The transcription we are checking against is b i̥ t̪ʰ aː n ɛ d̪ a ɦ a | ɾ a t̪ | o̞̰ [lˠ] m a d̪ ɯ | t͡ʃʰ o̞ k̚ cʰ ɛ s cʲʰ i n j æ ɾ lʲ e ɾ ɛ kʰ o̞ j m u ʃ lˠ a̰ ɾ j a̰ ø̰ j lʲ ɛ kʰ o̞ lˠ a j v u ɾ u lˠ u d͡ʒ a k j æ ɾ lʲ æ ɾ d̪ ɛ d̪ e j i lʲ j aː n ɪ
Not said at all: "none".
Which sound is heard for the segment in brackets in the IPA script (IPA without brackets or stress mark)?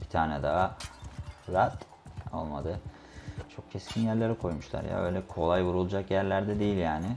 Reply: lˠ